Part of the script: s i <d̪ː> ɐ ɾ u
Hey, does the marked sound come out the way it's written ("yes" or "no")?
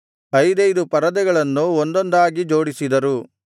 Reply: no